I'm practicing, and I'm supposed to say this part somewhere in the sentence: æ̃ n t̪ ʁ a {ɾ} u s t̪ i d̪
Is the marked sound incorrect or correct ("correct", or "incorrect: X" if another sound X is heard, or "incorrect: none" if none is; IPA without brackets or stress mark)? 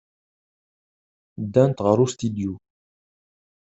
correct